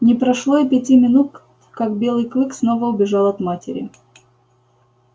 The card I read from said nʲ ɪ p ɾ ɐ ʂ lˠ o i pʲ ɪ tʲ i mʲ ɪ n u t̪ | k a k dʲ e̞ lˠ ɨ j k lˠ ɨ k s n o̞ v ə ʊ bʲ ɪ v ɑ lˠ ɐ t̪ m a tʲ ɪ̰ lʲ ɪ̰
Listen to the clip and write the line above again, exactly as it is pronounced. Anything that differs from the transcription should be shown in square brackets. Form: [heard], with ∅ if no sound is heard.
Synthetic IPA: nʲ ɪ p ɾ ɐ ʂ lˠ o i pʲ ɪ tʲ i mʲ ɪ n u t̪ | k a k [bʲ] e̞ lˠ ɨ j k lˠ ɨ k s n o̞ v ə ʊ bʲ ɪ [ʐ] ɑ lˠ ɐ t̪ m a tʲ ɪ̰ [ɾʲ] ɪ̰